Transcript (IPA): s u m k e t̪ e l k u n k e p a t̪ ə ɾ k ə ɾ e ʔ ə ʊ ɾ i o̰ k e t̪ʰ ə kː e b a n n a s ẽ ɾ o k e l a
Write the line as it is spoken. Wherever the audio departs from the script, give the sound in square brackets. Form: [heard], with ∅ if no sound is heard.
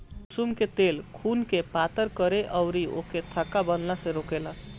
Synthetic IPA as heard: s u m k e t̪ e l [kʰ] u n k e p a t̪ ə ɾ k ə ɾ e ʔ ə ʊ ɾ i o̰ k e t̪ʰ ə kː [a] b [ə] n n a s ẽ ɾ o k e l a